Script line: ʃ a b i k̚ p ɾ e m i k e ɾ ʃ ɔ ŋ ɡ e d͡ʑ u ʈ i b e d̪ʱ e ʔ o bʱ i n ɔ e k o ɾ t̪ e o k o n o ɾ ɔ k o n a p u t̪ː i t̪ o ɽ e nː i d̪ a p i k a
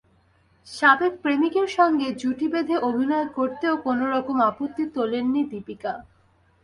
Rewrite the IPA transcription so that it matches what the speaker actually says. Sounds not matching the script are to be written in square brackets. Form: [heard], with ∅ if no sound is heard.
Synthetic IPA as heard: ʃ a b [e] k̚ p ɾ e m i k e ɾ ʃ ɔ ŋ ɡ e d͡ʑ u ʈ i b e d̪ʱ e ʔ o bʱ i n ɔ e k o ɾ t̪ e o k o n o ɾ ɔ k o [m] a p [o] t̪ː i t̪ o [l] e nː i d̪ [i] p i k a